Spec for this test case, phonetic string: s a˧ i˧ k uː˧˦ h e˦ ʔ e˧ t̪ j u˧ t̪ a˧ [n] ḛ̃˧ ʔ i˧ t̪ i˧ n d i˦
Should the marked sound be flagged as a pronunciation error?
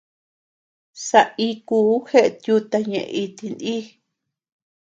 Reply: yes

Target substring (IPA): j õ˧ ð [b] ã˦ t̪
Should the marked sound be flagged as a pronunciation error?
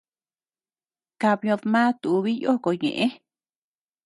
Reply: yes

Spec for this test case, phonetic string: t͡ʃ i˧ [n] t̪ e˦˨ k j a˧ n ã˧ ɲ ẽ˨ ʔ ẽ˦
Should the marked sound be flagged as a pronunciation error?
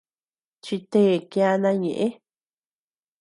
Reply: yes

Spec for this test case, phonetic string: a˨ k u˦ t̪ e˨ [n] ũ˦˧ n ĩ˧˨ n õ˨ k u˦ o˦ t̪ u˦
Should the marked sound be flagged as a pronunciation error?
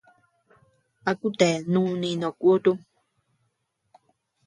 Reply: no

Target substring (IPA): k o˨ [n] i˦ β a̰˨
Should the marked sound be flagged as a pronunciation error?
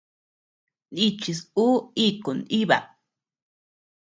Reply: no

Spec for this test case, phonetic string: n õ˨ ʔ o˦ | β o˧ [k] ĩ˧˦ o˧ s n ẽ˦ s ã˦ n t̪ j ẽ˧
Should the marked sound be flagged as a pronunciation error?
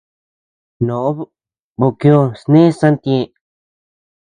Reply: no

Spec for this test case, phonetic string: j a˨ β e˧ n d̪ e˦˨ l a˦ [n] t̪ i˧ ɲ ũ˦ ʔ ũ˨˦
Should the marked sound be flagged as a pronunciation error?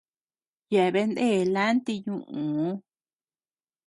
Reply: no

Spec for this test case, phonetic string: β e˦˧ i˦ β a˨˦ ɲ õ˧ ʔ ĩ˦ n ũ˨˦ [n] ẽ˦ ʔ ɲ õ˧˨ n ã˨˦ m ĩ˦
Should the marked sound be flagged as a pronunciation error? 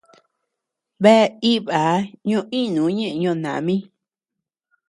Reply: yes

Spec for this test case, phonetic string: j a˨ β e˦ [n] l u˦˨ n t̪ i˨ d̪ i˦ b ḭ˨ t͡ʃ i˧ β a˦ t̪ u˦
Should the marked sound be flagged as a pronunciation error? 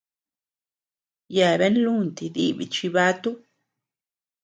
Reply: no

